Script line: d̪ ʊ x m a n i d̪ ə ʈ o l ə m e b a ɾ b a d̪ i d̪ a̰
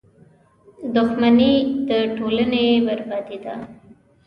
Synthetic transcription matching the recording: d̪ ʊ x m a n i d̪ ə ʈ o l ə n e b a ɾ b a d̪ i d̪ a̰